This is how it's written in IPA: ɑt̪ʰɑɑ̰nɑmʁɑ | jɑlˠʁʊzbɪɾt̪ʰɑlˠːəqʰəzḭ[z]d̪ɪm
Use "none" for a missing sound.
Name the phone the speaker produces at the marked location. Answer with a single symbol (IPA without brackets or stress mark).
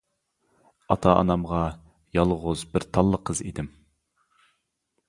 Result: none